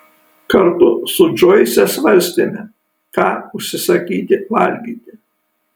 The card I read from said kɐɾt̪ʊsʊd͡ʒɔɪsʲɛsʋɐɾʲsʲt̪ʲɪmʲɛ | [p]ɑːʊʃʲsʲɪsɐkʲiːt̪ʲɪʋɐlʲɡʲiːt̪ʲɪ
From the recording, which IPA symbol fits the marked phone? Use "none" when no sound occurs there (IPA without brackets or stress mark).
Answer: k